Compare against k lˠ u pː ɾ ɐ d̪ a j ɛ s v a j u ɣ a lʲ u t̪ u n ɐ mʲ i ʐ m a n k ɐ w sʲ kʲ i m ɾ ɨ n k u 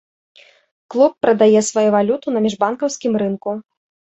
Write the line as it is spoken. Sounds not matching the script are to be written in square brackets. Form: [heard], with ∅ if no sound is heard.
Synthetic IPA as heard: k lˠ u pː ɾ ɐ d̪ a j ɛ s v a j u [v] a lʲ u t̪ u n ɐ mʲ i ʐ [b] a n k ɐ w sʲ kʲ i m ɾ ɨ n k u